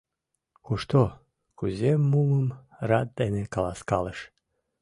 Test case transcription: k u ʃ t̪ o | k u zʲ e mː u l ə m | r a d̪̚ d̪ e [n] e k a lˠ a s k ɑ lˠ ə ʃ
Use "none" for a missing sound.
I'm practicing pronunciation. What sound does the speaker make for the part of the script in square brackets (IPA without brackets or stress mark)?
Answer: n